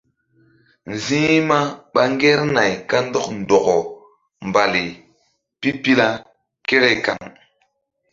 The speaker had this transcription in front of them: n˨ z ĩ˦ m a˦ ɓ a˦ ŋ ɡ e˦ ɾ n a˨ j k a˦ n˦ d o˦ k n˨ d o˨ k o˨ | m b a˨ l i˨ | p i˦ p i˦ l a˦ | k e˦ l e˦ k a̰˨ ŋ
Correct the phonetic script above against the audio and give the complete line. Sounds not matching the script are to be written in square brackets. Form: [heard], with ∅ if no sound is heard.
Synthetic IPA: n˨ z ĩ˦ m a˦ ɓ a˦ ŋ ɡ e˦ ɾ n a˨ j k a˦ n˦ d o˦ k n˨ d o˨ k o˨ | m b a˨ l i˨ | p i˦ p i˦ l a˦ | k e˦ [ɾ] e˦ k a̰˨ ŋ